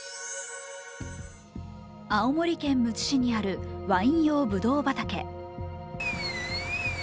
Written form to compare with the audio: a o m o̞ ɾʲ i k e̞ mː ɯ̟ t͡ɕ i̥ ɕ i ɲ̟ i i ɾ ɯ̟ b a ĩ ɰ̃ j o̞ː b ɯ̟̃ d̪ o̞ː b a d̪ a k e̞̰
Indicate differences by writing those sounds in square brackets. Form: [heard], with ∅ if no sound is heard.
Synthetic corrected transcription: a o m o̞ ɾʲ i k [ẽ̞] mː ɯ̟ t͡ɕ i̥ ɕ i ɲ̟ i [a] ɾ ɯ̟ [β] a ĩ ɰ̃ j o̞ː b [ɯ̟] d̪ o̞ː b a [t̪] a k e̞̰